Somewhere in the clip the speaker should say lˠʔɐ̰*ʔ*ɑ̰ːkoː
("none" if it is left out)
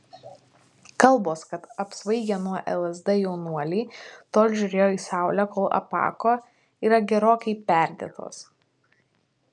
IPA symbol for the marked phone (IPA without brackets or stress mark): p